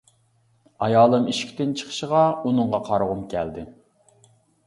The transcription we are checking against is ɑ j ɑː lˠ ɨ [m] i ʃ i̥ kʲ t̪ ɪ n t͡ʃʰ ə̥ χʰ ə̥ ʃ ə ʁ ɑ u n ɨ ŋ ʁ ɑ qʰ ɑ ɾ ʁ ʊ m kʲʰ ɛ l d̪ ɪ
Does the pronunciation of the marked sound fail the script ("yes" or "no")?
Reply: no